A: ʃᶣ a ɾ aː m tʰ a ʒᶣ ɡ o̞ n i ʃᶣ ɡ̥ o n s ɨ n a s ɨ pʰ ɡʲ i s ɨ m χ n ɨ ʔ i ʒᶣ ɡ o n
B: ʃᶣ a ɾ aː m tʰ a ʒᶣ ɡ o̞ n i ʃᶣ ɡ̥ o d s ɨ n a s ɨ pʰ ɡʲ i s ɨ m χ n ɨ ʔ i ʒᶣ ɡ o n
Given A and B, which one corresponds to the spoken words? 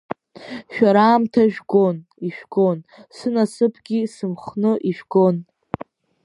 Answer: A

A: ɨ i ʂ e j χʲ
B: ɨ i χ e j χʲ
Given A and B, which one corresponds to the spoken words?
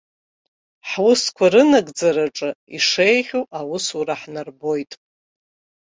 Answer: A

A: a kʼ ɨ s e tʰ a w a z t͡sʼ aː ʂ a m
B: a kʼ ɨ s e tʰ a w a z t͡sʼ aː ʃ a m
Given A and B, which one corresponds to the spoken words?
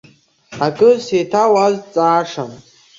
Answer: A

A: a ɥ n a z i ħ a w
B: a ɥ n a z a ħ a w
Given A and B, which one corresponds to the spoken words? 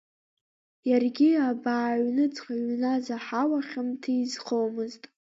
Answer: B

